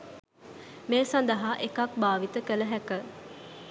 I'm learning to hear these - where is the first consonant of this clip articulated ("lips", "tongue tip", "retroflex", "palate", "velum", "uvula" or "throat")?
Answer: lips